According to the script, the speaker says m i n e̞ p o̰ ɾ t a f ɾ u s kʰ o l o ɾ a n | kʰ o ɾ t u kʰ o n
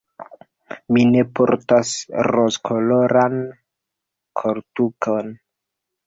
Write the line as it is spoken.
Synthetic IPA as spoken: m i n e̞ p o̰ ɾ t a s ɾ o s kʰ o l o ɾ a n | kʰ o ɾ t u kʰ o n